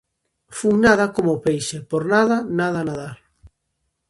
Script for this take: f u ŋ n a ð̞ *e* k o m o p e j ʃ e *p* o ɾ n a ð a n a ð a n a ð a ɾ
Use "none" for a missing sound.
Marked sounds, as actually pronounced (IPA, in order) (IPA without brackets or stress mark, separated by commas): a, p